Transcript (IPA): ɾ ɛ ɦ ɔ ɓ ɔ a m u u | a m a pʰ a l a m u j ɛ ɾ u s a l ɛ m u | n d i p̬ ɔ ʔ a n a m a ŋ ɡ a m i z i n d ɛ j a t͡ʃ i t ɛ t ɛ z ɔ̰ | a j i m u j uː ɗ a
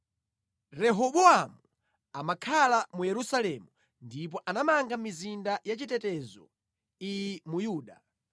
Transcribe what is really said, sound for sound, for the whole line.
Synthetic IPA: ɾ ɛ ɦ ɔ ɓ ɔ a m u u | a m a kʰ a l a m u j ɛ ɾ u s a l ɛ m u | n d i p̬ ɔ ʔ a n a m a ŋ ɡ a m i z i n d a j a t͡ʃ i t ɛ t ɛ z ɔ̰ | i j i m u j uː ɗ a